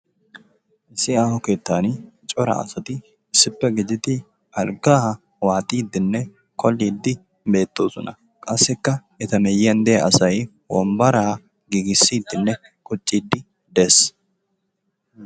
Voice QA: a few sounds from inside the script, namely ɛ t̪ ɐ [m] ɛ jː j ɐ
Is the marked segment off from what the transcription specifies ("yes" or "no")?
no